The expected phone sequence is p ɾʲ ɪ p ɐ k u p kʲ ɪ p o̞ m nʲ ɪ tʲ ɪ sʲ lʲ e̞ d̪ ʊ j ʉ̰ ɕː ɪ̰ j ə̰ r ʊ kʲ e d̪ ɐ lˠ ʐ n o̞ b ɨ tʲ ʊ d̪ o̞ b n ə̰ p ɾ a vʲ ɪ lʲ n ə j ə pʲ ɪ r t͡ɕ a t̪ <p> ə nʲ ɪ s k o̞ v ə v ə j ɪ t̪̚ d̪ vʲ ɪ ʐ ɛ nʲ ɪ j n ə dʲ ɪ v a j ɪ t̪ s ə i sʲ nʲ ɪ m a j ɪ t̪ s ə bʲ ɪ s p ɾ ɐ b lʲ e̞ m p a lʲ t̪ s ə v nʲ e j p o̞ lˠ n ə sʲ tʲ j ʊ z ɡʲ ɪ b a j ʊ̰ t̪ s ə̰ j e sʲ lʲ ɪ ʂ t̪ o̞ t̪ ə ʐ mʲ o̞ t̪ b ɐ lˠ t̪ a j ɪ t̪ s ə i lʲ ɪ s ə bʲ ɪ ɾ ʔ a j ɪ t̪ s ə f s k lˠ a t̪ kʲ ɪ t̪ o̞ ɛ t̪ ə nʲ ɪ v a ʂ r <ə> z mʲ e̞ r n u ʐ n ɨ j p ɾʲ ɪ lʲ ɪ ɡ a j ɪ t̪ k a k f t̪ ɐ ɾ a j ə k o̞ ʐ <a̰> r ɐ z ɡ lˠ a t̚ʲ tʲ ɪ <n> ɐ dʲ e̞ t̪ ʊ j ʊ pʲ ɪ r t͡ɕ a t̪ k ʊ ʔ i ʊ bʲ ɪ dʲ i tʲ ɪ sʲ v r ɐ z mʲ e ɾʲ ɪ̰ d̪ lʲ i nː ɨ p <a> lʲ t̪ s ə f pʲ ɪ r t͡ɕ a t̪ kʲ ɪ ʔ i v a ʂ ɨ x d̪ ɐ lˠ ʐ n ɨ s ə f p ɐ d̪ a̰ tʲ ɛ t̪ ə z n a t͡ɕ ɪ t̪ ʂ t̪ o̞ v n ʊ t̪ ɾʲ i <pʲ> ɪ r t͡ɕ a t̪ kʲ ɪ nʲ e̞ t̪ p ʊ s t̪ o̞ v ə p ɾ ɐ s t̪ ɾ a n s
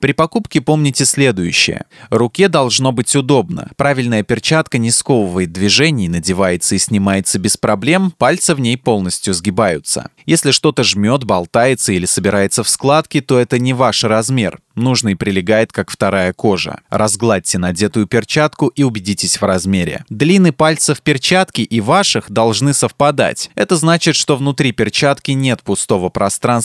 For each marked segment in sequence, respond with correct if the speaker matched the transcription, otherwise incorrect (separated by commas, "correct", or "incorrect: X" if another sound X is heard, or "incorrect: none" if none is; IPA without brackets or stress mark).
incorrect: k, incorrect: ɐ, incorrect: ə̰, correct, correct, correct